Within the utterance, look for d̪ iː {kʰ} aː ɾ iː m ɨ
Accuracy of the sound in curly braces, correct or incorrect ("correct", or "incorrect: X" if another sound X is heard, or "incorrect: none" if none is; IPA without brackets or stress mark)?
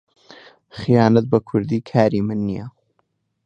correct